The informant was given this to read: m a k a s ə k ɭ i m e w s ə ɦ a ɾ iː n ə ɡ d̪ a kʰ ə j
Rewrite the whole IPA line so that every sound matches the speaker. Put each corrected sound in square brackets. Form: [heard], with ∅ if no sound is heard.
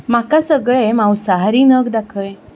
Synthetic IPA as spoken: m a k a s ə [ɡ] ɭ [e] m [a] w s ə ɦ a ɾ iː n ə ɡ d̪ a kʰ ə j